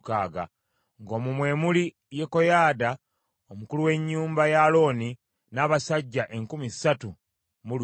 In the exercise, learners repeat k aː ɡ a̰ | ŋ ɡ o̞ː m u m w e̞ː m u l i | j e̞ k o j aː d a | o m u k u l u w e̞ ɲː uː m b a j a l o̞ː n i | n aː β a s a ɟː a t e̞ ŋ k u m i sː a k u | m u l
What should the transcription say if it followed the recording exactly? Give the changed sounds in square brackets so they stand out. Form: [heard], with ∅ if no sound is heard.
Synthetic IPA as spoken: k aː ɡ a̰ | ŋ ɡ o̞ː m u m w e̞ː m u l i | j e̞ k o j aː d a | o m u k u l u w e̞ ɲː uː m b a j a l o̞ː n i | n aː β a s a ɟː a [ʔ] e̞ ŋ k u m i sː a [t] u | m u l